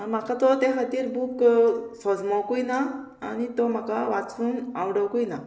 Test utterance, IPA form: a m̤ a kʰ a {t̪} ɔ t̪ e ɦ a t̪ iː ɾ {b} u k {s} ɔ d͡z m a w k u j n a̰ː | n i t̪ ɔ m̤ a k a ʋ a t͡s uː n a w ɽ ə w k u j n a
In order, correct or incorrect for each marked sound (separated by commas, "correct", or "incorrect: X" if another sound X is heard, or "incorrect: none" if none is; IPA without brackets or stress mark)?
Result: correct, correct, correct